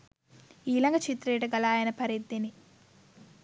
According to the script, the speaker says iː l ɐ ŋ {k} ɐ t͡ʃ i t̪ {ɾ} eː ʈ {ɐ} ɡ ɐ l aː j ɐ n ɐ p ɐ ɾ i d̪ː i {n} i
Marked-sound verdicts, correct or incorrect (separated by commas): incorrect, correct, correct, correct